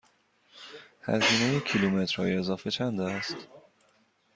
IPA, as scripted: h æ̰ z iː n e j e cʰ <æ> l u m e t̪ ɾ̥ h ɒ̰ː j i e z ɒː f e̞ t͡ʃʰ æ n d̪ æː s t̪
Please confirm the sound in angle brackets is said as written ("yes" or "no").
no